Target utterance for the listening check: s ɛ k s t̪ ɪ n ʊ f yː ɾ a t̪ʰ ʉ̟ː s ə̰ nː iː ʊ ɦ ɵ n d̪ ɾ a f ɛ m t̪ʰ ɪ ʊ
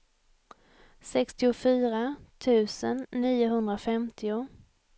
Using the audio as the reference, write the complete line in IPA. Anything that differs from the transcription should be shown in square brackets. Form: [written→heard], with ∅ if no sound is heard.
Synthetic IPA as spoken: s ɛ k s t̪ ɪ [n→∅] ʊ f yː ɾ a t̪ʰ ʉ̟ː s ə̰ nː iː ʊ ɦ ɵ n d̪ ɾ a f ɛ m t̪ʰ ɪ ʊ